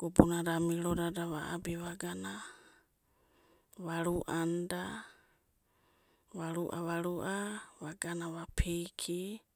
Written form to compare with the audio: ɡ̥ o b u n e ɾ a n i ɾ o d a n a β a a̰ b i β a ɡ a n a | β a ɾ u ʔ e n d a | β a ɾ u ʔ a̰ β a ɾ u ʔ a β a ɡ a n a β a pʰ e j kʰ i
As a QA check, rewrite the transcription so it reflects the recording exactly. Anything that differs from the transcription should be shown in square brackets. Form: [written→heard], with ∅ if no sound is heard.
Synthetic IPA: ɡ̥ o b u n [e→a] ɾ a [n→m] i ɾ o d a [n→d] a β a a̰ b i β a ɡ a n a | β a ɾ u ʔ [e→a] n d a | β a ɾ u ʔ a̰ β a ɾ u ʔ a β a ɡ a n a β a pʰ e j kʰ i